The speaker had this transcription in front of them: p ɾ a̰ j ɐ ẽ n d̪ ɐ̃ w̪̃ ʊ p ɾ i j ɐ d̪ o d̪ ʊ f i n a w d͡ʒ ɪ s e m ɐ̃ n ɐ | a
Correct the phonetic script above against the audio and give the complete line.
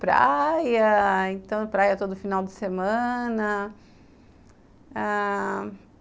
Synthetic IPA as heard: p ɾ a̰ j ɐ ẽ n t̪ ɐ̃ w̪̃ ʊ p ɾ a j ɐ t̪ o d̪ ʊ f i n a w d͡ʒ ɪ s e m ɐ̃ n ɐ | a